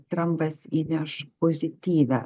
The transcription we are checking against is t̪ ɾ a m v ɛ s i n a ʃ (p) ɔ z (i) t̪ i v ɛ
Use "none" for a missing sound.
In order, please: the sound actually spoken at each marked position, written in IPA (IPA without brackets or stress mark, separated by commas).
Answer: p, i